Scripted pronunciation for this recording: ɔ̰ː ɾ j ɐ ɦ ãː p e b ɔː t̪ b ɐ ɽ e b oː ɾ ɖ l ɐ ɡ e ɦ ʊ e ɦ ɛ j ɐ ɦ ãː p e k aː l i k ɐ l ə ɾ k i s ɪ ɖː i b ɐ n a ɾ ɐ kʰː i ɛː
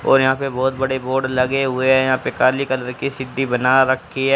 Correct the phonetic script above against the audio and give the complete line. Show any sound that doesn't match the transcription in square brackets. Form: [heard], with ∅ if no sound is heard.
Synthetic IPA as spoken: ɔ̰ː ɾ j ɐ ɦ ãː p e b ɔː t̪ b ɐ ɽ e b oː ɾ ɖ l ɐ ɡ e ɦ ʊ e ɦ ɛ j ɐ ɦ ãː p e k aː l i k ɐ l ə ɾ k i s ɪ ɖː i b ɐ n a ɾ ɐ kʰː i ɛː